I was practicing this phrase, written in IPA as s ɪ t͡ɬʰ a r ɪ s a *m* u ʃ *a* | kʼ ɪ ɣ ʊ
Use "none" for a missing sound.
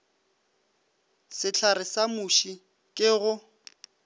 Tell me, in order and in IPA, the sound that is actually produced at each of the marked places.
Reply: m, i

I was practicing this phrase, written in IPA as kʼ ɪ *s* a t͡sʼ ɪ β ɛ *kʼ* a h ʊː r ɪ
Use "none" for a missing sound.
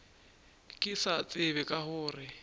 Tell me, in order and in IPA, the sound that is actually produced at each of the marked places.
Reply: s, kʼ

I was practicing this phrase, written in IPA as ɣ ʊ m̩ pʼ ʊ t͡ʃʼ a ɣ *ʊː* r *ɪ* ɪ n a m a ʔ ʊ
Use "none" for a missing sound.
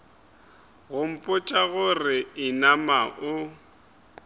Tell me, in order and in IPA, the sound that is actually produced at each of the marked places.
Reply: ʊ, ɪ

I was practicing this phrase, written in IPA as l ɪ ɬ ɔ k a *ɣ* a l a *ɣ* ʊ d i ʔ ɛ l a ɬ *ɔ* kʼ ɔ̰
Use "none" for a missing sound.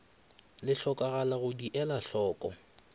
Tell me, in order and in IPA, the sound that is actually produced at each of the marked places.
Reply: ɣ, ɣ, ɔː

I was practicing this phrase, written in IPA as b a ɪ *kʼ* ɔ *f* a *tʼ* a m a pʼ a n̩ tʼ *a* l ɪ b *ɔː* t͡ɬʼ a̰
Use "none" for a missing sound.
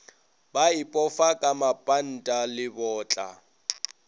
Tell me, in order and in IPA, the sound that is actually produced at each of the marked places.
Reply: pʼ, f, kʼ, a, ɔː

